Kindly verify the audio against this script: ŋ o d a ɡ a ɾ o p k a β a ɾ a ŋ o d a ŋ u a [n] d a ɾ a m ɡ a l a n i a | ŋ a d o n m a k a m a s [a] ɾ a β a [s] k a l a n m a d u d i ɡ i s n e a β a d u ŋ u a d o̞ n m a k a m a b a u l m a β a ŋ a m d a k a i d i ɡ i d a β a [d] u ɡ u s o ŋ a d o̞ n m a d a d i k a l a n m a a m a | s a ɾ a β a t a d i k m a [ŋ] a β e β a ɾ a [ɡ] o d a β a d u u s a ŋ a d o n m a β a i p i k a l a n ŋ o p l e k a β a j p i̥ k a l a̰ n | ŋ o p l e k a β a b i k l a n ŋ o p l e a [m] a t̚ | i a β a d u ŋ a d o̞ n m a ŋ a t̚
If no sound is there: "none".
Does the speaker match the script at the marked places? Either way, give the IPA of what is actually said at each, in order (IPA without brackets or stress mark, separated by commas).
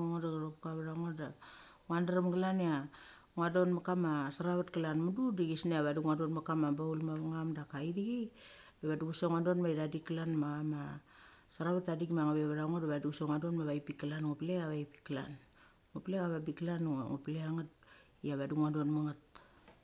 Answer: n, a, t, d, ŋ, ŋ, ŋ